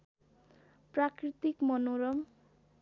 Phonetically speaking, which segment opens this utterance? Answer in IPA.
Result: p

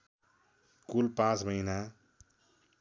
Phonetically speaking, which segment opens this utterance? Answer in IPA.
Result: k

